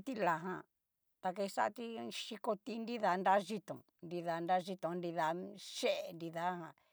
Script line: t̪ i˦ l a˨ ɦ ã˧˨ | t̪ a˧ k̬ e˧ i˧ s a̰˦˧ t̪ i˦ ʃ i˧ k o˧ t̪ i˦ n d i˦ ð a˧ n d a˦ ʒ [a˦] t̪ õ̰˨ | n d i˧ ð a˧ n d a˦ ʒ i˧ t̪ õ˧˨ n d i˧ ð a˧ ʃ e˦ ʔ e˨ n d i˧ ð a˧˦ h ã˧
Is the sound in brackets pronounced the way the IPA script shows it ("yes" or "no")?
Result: no